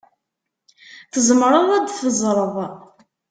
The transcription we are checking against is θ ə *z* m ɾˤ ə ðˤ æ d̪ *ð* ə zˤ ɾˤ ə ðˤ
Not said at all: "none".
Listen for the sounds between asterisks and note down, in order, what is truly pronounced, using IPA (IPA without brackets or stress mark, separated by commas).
z, θ